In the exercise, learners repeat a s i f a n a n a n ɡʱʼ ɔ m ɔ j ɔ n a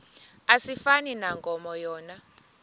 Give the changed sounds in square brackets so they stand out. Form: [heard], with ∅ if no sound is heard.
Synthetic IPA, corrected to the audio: a s i f a n [i] n a [ŋ] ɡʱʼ ɔ m ɔ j [ɔː] n a